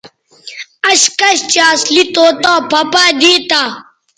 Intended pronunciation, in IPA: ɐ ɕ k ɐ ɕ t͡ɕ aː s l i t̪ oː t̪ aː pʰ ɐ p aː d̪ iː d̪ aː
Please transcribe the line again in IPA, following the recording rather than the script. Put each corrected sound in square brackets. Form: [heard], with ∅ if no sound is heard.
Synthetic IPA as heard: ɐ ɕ k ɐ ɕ t͡ɕ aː s l i t̪ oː t̪ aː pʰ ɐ p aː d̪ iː [t̪] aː